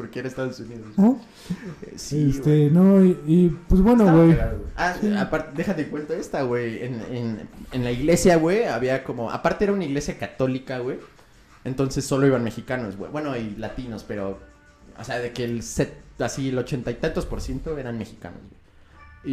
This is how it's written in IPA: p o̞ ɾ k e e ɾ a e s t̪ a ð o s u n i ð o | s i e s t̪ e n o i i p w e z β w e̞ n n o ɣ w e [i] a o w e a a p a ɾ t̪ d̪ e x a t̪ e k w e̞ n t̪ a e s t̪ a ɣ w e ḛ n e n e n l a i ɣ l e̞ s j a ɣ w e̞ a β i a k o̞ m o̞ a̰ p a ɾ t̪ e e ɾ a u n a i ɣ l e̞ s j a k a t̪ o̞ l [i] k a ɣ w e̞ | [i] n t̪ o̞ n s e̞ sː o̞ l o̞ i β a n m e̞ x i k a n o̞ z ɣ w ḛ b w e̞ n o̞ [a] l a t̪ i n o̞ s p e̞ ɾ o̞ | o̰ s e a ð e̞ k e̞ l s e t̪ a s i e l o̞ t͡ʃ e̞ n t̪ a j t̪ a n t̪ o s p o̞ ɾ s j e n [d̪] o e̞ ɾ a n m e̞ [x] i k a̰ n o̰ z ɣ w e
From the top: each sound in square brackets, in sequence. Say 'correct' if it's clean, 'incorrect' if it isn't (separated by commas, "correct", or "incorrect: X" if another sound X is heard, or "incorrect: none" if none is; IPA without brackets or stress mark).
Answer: incorrect: j, correct, incorrect: e, incorrect: i, incorrect: t̪, correct